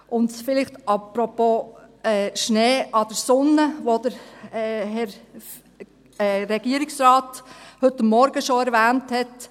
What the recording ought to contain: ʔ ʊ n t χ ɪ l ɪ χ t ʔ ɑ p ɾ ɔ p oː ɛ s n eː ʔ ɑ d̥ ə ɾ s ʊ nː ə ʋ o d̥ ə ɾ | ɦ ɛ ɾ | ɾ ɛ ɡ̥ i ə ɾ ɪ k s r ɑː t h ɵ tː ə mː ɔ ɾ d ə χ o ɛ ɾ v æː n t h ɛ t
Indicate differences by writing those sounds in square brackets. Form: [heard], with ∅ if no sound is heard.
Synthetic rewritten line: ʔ ʊ n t [f] ɪ l ɪ χ t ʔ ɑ p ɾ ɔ p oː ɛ [ʃ] n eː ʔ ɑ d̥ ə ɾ s ʊ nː ə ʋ o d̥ ə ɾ | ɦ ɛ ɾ | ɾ ɛ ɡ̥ i ə ɾ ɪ k s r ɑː t h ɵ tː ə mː ɔ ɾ [ɡ] ə [ʃ] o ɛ ɾ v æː n t h ɛ t